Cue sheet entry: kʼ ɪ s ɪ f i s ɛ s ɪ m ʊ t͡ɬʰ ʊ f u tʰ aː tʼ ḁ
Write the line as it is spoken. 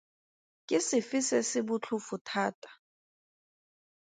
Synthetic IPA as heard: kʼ ɪ s ɪ f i s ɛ s ɪ b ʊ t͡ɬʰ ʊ f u tʰ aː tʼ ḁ